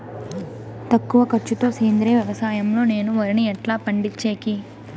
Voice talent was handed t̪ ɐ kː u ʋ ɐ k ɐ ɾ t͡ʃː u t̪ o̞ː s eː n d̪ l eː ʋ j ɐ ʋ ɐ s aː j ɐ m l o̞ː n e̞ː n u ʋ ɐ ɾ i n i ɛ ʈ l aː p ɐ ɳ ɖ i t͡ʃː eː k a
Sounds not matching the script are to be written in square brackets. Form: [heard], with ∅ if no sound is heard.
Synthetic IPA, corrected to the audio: t̪ ɐ kː u ʋ ɐ k ɐ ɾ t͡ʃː u t̪ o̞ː s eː n d̪ [ɾ] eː ʋ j ɐ ʋ ɐ s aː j ɐ m l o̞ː n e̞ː n u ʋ ɐ ɾ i n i ɛ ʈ l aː p ɐ ɳ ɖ i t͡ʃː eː k [i]

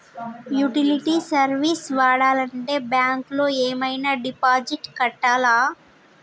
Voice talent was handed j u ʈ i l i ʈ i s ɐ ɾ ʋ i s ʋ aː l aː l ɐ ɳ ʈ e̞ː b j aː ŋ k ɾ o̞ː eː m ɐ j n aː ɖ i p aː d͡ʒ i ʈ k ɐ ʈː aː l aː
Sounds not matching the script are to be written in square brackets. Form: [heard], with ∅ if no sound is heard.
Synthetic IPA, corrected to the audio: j u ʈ i l i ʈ i s ɐ ɾ ʋ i s ʋ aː [ɽ] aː l ɐ ɳ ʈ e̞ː b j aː ŋ k [l] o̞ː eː m ɐ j n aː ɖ i p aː d͡ʒ i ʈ k ɐ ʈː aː l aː

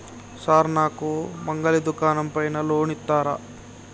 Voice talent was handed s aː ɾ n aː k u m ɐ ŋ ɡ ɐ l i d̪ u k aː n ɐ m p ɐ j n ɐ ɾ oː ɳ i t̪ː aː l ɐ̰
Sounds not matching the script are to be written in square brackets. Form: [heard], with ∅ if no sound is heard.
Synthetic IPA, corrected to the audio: s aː ɾ n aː k u m ɐ ŋ ɡ ɐ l i d̪ u k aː n ɐ m p ɐ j n ɐ [l] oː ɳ i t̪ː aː [ɾ] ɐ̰

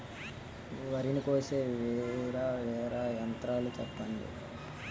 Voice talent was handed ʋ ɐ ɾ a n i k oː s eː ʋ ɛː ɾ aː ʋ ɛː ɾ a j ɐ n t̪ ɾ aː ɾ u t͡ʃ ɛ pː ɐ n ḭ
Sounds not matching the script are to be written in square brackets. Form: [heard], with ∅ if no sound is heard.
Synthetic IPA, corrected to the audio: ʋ ɐ ɾ [i] n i k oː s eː ʋ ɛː ɾ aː ʋ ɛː ɾ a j ɐ n t̪ ɾ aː [l] u t͡ʃ ɛ pː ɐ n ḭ

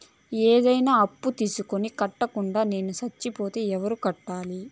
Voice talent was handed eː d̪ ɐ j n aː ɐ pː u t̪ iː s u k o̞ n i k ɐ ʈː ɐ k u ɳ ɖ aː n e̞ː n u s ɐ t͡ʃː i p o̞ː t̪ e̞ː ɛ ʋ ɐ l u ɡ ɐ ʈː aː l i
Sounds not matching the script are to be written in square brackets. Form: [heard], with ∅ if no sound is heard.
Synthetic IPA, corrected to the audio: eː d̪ ɐ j n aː ɐ pː u t̪ iː s u k o̞ n i k ɐ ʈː ɐ k u ɳ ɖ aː n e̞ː n u s ɐ t͡ʃː i p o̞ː t̪ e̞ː ɛ ʋ ɐ [ɾ] u [k] ɐ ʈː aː l i

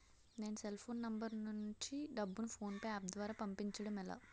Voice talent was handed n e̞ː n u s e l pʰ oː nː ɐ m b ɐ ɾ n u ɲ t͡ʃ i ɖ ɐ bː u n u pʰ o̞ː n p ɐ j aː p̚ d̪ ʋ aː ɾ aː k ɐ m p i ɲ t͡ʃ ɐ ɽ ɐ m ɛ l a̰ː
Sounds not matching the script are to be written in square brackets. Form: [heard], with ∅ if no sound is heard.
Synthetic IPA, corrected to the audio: n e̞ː n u s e l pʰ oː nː ɐ m b ɐ ɾ n u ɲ t͡ʃ i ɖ ɐ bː u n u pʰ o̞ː n p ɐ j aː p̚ d̪ ʋ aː ɾ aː [p] ɐ m p i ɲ t͡ʃ ɐ ɽ ɐ m ɛ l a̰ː

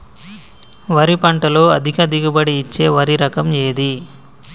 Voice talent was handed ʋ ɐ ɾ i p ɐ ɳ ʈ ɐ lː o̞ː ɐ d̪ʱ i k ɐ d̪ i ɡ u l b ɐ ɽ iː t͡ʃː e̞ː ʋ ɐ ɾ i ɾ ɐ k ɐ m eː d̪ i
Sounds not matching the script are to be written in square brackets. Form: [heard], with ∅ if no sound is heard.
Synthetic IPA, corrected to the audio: ʋ ɐ ɾ i p ɐ ɳ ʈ ɐ [l] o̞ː ɐ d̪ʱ i k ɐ d̪ i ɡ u [∅] b ɐ ɽ iː t͡ʃː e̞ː ʋ ɐ ɾ i ɾ ɐ k ɐ m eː d̪ i

